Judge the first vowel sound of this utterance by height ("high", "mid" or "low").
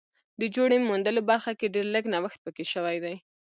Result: mid